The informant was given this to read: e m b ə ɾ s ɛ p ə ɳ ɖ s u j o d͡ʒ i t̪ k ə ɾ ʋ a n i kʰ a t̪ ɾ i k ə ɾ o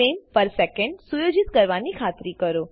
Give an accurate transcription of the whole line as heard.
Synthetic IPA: e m p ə ɾ s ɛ k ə ɳ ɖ s u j o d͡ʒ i t̪ k ə ɾ ʋ a n i kʰ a t̪ ɾ i k ə ɾ o